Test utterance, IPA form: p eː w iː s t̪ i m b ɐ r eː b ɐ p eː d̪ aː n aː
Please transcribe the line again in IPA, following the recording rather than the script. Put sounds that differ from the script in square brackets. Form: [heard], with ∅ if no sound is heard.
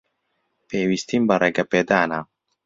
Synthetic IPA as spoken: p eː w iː s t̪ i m b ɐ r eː [ɡ] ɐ p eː d̪ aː n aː